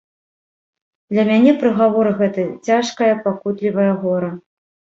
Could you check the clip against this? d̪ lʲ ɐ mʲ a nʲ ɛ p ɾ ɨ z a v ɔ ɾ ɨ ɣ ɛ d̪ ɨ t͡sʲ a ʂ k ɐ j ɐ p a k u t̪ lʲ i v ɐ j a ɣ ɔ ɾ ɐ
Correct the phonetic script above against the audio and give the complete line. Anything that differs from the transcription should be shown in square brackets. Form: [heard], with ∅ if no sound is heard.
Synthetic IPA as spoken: d̪ lʲ ɐ mʲ a nʲ ɛ p ɾ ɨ [ɣ] a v ɔ ɾ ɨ ɣ ɛ [t̪] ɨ t͡sʲ a ʂ k ɐ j ɐ p a k u t̪ lʲ i v ɐ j [ɐ] ɣ ɔ ɾ ɐ